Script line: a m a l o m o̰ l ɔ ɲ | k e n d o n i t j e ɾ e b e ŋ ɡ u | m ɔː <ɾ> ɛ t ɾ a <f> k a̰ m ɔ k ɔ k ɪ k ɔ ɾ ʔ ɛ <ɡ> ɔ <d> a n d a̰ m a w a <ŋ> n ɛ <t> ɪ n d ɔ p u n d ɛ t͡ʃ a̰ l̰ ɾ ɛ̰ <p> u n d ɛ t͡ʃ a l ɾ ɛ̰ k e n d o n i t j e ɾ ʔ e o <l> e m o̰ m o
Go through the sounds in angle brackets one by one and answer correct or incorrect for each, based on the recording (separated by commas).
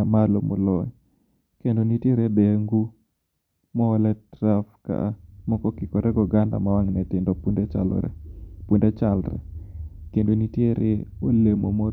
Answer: incorrect, correct, correct, incorrect, correct, correct, correct, correct